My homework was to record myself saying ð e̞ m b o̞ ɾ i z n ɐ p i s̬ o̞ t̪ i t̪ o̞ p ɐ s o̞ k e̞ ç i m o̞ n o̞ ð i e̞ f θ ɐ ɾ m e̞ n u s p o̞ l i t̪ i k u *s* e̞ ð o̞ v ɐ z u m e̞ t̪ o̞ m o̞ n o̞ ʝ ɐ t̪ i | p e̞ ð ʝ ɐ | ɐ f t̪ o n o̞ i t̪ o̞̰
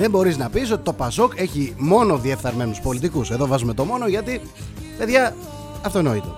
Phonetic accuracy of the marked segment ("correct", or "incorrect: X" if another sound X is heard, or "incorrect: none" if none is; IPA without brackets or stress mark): correct